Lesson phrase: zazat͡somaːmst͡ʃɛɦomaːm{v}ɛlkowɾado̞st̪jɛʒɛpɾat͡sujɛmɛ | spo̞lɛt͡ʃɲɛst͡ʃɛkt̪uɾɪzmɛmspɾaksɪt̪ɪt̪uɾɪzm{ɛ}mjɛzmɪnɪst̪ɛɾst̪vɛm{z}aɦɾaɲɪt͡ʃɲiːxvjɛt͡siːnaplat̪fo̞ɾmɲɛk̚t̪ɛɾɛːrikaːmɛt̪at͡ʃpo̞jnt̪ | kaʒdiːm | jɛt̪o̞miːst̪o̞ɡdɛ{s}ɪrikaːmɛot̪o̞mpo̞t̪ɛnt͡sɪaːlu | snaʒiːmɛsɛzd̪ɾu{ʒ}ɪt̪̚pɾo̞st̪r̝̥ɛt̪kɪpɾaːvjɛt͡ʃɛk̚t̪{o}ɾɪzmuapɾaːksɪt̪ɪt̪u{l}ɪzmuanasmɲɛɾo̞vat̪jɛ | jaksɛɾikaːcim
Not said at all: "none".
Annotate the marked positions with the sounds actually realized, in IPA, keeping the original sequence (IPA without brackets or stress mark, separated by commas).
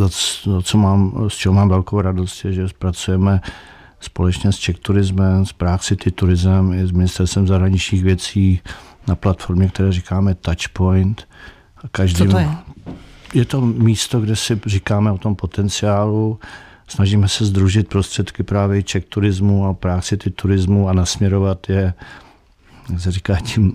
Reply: v, ɛ, z, s, ʒ, u, ɾ